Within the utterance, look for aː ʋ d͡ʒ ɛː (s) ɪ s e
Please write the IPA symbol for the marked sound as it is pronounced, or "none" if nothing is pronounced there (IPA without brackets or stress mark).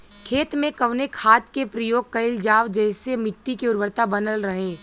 none